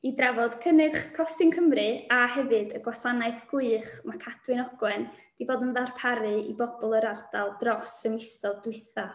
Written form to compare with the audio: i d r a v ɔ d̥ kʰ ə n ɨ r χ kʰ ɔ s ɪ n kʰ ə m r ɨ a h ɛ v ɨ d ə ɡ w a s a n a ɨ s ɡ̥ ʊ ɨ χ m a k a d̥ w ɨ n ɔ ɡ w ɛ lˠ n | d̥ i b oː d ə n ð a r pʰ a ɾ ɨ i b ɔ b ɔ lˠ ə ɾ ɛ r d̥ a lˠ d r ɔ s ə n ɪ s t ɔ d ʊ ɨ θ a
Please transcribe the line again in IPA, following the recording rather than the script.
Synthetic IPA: i d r a v ɔ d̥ kʰ ə n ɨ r χ kʰ ɔ s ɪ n kʰ ə m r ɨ a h ɛ v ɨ d ə ɡ w a s a n a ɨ θ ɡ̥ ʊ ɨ χ m a kʰ a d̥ w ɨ n ɔ ɡ w ɛ n | d̥ i b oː d ə n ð a r pʰ a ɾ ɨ i b ɔ b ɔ lˠ ə ɾ a r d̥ a lˠ d r ɔ s ə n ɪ s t ɔ d ʊ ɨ θ a